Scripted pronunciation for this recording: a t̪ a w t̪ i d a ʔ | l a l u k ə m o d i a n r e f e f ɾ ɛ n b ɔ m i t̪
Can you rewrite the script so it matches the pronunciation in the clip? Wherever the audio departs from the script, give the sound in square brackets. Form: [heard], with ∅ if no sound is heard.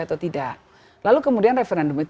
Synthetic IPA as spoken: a t̪ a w t̪ i d a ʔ | l a l u k ə m [u] d i a n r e f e [∅] ɾ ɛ n [d] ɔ m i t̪

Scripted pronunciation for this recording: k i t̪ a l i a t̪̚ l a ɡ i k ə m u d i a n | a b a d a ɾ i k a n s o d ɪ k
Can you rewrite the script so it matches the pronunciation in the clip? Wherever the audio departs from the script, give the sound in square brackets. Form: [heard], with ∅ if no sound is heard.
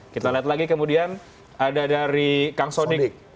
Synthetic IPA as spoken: k i t̪ a l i a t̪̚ l a ɡ i k ə m u d i a n | a [d] a d a ɾ i k a [ŋ] s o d ɪ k

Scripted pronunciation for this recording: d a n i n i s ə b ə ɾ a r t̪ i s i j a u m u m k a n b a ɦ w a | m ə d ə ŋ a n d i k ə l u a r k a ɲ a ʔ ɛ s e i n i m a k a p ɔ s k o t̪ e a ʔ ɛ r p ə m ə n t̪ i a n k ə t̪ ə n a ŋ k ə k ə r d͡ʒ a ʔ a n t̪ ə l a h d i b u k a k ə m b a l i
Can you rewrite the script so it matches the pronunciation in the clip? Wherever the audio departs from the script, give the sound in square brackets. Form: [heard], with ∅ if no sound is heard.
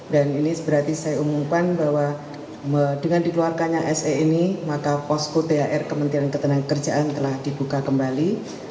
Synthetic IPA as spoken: d a n i n i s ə b ə ɾ a r t̪ i s [a] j a u m u m k a n b a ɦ w a | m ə d ə ŋ a n d i k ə l u a r k a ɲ a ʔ ɛ s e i n i m a k a p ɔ s k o t̪ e a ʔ ɛ r [k] ə m ə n t̪ i a n k ə t̪ ə n a ŋ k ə k ə r d͡ʒ a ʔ a n t̪ ə l a h d i b u k a k ə m b a l i

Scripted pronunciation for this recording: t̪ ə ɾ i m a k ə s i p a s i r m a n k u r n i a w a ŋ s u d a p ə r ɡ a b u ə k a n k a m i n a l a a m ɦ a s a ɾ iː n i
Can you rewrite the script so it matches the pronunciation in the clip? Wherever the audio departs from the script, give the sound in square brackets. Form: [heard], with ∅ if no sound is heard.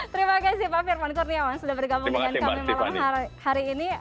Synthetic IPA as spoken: t̪ ə ɾ i m a k [a] s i p a [f] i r m a n k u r n i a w a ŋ s u d a [b] ə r ɡ a b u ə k a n k a m i [m] a l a a m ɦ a [h] a ɾ iː n i

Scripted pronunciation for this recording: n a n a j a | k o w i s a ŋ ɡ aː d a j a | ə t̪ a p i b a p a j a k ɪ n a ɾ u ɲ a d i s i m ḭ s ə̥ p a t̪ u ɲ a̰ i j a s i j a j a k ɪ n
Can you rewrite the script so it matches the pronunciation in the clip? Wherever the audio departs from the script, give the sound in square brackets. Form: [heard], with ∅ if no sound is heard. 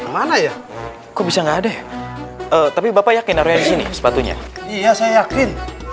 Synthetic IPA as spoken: [m] a n a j a | k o [b] i s a ŋ ɡ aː d a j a | ə t̪ a p i b a p a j a k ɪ n a ɾ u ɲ a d i s i [n] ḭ s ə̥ p a t̪ u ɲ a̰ i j a s [a] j a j a k ɪ n

